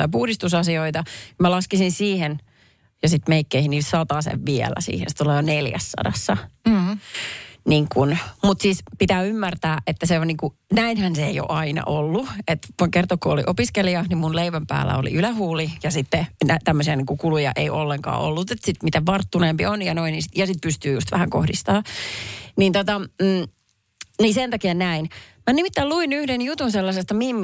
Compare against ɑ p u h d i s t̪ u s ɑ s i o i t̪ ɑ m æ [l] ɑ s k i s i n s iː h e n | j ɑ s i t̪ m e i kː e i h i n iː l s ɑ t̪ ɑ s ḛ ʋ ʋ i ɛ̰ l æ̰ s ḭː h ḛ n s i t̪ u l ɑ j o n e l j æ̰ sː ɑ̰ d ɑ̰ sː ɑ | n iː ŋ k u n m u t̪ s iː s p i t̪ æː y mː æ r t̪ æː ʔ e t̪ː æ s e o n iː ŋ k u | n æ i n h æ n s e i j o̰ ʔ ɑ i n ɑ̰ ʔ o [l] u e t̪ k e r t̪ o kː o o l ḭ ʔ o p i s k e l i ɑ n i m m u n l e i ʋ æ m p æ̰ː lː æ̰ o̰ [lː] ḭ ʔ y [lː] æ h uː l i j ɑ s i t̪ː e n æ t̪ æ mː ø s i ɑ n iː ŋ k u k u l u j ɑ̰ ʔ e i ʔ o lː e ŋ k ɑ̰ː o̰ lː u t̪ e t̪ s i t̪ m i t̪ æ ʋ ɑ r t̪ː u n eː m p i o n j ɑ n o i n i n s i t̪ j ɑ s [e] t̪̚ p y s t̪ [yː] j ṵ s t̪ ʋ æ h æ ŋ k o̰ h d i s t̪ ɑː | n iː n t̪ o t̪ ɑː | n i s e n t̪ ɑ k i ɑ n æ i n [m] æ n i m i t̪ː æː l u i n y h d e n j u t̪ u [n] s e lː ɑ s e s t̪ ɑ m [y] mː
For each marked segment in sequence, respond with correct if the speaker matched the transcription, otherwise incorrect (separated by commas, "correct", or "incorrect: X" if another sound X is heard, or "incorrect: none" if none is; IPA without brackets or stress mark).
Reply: correct, incorrect: lː, incorrect: l, incorrect: l, incorrect: i, correct, correct, correct, incorrect: i